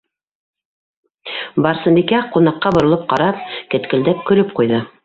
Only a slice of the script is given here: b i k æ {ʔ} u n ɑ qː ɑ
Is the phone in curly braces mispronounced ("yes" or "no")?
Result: yes